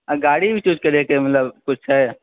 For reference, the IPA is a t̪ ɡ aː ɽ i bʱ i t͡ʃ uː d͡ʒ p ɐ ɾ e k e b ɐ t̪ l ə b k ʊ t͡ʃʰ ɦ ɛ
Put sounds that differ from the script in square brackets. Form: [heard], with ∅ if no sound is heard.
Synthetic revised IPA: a [∅] ɡ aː ɽ i bʱ i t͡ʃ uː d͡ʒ [k] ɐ ɾ e k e [m] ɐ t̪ l ə b k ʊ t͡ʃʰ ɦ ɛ